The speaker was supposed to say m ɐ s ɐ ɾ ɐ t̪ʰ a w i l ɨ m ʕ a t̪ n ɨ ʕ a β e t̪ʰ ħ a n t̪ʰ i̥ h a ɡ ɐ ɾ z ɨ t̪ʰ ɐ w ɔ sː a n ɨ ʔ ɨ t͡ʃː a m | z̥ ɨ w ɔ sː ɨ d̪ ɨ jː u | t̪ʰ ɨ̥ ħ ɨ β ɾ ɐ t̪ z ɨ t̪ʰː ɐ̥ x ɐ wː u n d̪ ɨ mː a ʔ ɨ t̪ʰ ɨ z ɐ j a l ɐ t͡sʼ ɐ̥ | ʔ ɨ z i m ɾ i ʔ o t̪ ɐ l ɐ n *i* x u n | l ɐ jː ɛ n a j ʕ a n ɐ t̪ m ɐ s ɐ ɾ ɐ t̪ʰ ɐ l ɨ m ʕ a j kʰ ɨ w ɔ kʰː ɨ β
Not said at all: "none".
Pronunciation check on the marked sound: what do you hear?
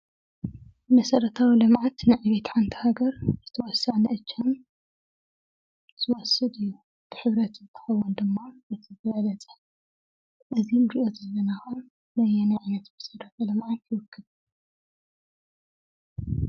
a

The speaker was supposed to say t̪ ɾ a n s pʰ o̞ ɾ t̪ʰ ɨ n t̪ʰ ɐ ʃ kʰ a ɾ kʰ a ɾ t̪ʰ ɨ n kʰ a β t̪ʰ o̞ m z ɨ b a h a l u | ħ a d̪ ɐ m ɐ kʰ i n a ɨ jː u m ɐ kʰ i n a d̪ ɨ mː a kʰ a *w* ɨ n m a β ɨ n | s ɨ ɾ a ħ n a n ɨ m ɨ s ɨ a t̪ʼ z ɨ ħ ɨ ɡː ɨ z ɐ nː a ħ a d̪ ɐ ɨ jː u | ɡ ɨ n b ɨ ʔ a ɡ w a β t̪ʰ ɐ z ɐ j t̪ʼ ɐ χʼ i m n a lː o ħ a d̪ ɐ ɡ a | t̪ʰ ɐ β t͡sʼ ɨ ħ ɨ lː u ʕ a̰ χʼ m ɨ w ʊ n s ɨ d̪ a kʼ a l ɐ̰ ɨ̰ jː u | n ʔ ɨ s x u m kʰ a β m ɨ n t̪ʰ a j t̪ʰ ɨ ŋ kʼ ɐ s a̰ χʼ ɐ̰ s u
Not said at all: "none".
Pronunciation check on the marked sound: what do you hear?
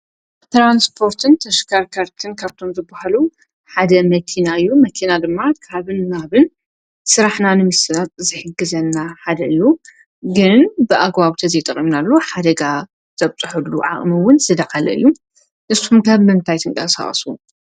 β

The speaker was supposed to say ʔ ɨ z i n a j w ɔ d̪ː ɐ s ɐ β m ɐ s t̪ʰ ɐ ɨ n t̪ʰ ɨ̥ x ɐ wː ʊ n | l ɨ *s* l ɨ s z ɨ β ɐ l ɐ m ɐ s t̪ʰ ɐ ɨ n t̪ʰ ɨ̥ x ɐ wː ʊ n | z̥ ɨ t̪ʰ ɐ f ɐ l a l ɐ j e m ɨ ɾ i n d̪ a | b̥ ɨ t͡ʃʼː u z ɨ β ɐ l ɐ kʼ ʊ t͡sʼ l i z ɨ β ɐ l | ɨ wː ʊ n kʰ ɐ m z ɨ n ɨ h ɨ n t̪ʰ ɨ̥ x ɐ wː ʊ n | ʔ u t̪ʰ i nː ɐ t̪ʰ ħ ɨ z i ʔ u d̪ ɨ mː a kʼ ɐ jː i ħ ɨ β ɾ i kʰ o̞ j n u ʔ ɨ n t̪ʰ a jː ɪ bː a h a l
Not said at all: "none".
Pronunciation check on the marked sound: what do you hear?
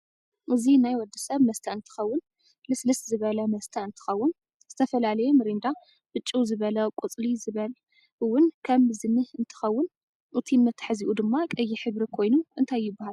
s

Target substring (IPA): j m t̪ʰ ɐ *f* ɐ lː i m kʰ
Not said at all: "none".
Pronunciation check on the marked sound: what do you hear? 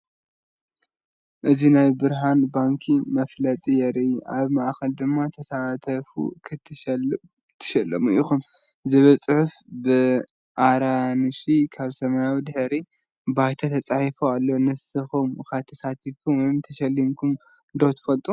ʃ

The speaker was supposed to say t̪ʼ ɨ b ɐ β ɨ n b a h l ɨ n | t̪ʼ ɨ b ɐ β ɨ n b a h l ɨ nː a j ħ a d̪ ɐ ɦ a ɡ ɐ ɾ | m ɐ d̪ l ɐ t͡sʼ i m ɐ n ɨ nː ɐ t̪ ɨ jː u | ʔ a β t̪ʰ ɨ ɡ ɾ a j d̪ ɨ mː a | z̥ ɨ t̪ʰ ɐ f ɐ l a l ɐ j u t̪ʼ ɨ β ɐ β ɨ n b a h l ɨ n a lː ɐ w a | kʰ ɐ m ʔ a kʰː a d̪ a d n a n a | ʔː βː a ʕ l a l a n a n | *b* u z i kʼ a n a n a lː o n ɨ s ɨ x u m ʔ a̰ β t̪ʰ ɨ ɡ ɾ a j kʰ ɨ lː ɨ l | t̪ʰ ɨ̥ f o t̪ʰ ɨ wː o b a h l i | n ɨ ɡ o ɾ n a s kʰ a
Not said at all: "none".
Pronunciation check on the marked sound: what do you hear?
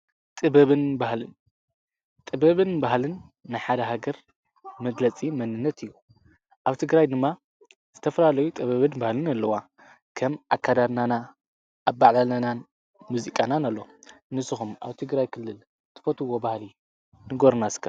m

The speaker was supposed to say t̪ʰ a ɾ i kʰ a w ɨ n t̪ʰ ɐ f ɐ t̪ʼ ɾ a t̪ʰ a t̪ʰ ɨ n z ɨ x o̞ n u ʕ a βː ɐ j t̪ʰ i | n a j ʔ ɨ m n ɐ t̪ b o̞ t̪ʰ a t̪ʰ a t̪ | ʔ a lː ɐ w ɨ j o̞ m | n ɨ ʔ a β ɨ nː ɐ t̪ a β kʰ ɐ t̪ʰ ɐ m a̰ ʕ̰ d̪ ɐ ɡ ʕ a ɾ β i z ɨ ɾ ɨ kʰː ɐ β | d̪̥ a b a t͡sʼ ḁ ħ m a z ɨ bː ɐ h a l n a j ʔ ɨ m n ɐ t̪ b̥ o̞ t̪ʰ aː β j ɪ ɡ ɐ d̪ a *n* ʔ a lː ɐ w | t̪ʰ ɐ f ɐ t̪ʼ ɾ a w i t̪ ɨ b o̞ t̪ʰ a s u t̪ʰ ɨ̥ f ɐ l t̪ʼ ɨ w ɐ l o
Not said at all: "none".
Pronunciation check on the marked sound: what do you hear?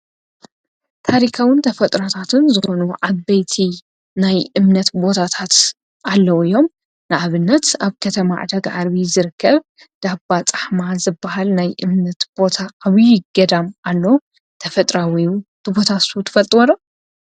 m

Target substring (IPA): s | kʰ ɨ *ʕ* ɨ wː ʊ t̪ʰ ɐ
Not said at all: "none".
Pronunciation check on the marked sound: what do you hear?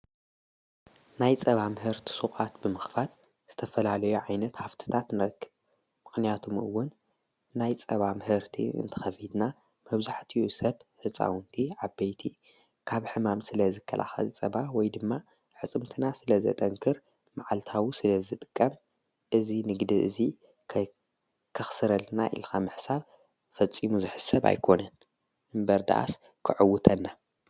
ʕ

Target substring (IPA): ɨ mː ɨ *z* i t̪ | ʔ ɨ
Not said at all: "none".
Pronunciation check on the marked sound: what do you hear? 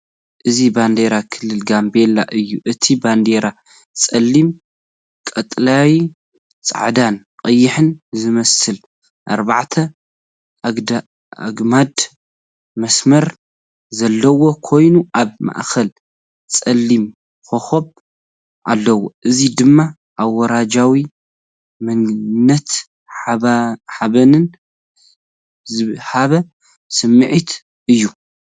ʕ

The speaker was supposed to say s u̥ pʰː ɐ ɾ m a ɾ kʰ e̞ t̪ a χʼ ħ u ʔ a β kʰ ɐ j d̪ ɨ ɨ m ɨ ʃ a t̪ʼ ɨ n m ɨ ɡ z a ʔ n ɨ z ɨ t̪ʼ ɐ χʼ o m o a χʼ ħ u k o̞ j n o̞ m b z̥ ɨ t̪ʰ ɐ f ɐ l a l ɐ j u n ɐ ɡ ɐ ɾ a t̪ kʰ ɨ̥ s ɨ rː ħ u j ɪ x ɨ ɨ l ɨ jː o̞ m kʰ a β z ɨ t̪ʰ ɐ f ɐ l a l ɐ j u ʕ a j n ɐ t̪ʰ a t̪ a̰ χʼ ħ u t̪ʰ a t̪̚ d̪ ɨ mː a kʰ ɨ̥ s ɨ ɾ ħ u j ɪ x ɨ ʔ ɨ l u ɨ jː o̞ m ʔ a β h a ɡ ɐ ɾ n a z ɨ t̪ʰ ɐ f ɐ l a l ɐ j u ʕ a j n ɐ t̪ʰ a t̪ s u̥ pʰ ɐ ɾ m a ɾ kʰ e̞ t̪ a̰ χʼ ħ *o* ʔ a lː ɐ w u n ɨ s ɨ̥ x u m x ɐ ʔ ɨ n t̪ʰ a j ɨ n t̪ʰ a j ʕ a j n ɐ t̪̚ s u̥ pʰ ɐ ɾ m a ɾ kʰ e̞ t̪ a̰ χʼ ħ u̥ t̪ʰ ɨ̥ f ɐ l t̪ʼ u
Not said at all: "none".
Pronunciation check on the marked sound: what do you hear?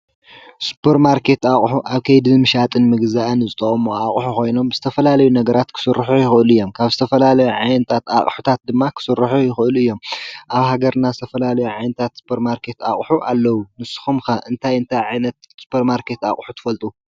u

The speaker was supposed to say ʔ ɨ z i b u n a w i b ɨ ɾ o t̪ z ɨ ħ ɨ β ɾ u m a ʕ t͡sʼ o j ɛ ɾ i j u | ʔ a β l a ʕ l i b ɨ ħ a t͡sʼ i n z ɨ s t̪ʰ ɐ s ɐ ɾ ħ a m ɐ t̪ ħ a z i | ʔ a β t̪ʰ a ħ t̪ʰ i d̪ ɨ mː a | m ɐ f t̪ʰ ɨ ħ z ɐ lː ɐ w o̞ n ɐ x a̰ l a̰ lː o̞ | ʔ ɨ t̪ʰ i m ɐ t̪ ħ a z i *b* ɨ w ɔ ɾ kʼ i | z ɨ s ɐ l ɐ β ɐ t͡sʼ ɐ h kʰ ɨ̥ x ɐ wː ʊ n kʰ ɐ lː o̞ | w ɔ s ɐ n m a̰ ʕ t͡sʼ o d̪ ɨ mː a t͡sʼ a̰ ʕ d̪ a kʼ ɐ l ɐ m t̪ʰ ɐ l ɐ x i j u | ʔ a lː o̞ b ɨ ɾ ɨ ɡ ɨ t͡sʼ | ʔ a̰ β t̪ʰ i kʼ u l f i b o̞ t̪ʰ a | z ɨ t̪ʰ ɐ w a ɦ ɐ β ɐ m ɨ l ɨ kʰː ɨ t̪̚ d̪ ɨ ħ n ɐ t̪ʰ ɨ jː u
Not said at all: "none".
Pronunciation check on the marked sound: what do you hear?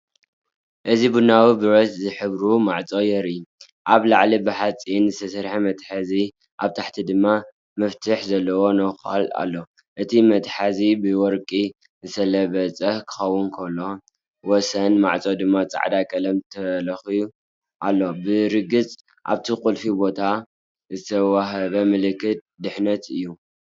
b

